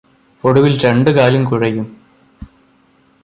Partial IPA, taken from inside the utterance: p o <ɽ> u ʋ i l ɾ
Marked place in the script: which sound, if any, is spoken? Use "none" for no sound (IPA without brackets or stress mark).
ɽ